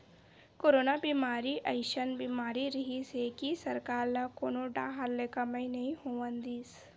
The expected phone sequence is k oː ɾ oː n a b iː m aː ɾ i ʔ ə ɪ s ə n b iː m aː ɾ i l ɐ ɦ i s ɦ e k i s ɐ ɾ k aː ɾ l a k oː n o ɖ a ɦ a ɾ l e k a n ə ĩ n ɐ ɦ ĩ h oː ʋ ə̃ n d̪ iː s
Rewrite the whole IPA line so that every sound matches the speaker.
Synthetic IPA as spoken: k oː ɾ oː n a b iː m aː ɾ i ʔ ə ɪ ʃ ə n b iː m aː ɾ i ɾ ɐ ɦ i s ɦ e k i s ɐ ɾ k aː ɾ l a k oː n o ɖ a ɦ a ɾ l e k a m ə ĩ n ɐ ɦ ĩ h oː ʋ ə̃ n d̪ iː s